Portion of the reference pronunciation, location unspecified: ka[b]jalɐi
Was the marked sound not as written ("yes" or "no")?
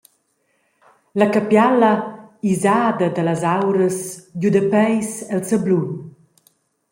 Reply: yes